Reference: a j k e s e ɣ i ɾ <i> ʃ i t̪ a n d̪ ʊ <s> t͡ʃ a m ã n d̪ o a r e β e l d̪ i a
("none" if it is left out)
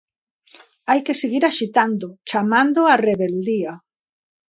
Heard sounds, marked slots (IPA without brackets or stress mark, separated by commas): a, none